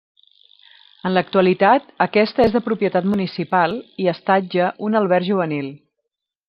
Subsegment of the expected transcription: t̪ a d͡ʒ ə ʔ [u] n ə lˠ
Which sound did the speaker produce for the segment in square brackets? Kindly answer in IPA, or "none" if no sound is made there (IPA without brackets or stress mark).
u